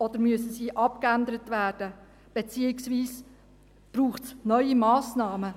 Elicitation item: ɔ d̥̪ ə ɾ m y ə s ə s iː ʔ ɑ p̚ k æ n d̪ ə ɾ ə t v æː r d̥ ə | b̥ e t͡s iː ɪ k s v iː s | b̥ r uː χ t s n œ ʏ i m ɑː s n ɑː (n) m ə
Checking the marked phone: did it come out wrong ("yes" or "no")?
yes